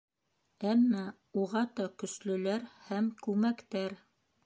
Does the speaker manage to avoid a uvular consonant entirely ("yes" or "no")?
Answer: no